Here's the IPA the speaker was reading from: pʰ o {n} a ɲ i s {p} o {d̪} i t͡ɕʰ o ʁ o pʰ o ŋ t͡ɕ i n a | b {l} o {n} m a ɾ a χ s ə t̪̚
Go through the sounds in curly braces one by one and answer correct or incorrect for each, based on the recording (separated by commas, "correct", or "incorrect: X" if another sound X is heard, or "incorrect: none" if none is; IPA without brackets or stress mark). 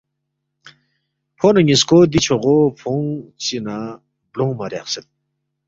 correct, incorrect: k, correct, correct, incorrect: ŋ